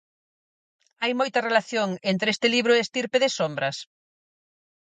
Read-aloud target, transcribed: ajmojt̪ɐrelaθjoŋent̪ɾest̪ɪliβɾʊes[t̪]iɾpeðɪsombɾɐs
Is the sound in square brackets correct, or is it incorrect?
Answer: correct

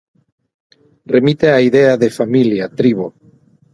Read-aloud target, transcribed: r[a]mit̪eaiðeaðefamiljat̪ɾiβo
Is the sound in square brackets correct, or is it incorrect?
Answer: incorrect: e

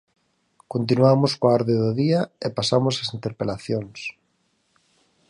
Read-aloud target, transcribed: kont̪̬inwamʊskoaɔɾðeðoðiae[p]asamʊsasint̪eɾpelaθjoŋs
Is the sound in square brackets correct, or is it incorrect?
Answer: correct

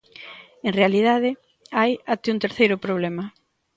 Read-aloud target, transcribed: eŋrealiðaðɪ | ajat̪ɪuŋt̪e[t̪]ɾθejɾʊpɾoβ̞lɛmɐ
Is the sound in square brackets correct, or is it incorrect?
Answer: incorrect: none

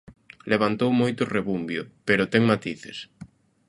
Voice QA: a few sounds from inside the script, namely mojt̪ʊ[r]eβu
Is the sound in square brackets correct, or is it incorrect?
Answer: correct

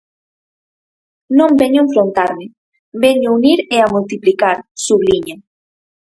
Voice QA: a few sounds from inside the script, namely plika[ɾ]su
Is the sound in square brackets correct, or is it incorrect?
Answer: correct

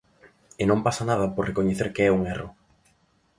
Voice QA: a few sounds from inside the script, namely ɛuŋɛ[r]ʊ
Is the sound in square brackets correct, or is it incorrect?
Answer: correct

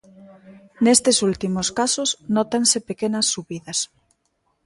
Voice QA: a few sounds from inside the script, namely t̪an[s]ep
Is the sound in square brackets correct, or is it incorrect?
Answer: correct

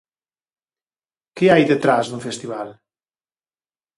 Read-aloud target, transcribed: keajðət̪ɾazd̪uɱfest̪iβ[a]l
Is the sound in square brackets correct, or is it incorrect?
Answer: correct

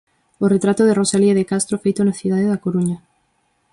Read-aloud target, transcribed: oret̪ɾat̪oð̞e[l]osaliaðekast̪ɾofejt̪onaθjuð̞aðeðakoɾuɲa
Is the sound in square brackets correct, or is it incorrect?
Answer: incorrect: r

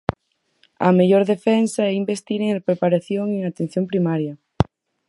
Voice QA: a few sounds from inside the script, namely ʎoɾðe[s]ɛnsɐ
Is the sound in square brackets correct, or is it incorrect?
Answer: incorrect: f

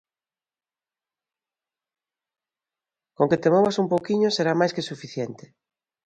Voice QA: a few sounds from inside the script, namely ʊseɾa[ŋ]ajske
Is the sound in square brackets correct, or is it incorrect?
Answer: incorrect: m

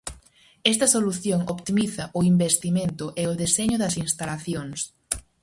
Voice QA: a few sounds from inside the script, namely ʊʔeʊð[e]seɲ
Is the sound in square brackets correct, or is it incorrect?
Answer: correct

